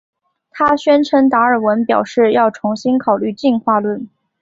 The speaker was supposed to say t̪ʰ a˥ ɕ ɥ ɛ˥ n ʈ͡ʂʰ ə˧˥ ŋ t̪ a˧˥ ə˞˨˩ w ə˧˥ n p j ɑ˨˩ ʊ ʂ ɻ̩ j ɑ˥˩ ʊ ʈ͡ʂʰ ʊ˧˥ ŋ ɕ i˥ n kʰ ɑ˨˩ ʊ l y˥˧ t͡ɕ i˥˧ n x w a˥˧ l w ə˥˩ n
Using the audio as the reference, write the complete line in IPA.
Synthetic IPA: t̪ʰ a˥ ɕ ɥ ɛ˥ n ʈ͡ʂʰ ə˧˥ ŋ t̪ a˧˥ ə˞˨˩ w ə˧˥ n p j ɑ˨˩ ʊ ʂ ɻ̩ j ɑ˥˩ ʊ ʈ͡ʂʰ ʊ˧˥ ŋ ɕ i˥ n kʰ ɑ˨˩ ʊ l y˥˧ t͡ɕ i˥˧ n x w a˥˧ l w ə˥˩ n